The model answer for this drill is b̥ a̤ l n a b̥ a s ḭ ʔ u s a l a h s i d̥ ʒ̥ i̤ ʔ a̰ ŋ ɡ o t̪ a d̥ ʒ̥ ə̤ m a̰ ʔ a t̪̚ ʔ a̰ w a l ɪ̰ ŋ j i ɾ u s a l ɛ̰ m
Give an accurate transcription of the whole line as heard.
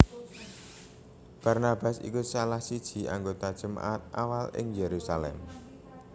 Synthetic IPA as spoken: b̥ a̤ r n a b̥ a s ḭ k u s a l a h s i d̥ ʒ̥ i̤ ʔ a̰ ŋ ɡ o t̪ a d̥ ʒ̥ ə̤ m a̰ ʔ a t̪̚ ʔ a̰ w a l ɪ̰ ŋ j e ɾ u s a l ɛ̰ m